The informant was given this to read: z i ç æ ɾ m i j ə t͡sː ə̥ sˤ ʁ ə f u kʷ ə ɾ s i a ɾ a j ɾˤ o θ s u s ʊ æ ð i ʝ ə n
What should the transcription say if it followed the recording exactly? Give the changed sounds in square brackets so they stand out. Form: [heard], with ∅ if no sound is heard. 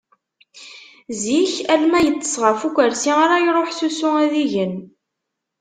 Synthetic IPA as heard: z i ç æ [l] m [æ] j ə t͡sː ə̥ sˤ ʁ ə f u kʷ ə ɾ s i a ɾ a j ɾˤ o [ħ] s u s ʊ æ ð i ʝ ə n